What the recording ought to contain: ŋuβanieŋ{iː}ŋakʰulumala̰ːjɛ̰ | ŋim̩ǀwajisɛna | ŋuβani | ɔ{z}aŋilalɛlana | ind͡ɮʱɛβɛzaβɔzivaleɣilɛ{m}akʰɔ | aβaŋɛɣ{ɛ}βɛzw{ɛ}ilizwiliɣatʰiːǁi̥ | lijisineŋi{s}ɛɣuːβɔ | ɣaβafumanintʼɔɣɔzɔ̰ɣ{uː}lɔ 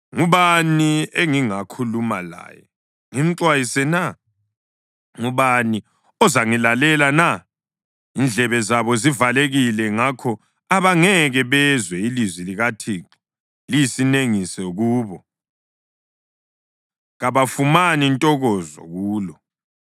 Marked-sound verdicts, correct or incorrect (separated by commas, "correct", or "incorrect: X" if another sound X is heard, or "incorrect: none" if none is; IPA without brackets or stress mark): incorrect: i, correct, incorrect: ŋ, correct, correct, correct, correct